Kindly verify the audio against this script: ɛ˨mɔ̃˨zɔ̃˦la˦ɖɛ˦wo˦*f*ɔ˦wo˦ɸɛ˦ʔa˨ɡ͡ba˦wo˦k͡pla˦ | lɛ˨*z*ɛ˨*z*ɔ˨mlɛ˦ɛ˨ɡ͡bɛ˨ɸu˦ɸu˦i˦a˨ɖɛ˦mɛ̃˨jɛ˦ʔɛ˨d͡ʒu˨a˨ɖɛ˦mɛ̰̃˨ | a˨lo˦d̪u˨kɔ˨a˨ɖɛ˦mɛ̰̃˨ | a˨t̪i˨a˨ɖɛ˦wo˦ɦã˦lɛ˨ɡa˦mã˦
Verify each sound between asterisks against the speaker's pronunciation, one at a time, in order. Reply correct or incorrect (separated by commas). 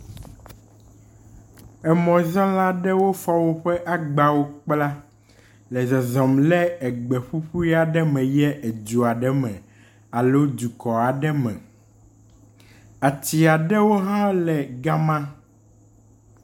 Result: correct, correct, correct